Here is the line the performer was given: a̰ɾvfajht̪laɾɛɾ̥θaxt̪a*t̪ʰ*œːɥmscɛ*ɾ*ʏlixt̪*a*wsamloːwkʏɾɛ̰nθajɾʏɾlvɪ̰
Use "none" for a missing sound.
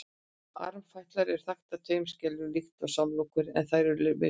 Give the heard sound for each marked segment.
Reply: t̪ʰ, l, a

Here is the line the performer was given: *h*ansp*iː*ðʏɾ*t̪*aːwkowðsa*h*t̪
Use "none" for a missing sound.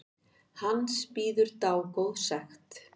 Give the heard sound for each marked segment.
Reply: h, iː, t̪, x

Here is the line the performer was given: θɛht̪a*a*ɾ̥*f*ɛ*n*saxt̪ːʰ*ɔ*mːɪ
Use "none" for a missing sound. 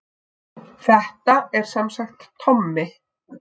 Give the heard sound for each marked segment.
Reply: ɛ, s, m, ɔ

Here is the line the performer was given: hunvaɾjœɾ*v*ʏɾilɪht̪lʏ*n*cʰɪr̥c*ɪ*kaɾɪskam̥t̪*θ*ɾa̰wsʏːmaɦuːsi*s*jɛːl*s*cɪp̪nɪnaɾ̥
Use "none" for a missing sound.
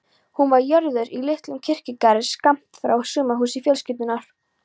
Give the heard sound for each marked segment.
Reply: ð, m, ɪ, f, f, s

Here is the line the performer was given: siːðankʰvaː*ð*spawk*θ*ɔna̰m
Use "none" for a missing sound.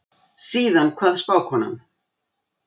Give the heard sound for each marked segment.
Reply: ð, h

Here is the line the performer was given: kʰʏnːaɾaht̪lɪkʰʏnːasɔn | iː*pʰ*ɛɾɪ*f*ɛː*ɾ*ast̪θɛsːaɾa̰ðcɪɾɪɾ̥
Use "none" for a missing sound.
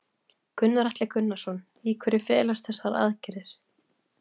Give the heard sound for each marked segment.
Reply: kʰ, f, l

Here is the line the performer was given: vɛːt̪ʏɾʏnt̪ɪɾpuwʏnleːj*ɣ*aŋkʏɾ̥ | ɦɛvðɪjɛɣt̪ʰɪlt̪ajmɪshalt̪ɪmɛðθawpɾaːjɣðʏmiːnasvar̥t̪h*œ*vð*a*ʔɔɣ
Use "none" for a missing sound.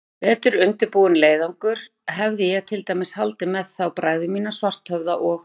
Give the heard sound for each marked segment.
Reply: ð, œ, a

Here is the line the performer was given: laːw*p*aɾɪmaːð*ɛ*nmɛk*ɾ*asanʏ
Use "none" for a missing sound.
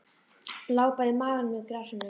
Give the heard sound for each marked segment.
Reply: p, a, ɾ

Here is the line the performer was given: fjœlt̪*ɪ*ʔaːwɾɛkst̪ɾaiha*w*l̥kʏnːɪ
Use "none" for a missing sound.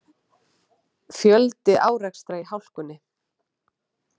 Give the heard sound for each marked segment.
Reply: ɪ, w

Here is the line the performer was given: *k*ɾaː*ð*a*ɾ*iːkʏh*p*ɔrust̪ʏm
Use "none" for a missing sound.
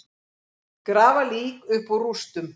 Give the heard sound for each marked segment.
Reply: k, v, l, p

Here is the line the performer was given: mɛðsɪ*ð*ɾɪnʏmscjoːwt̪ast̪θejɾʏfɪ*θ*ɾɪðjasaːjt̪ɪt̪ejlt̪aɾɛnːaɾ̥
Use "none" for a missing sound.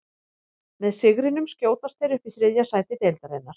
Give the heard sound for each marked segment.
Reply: ɣ, θ

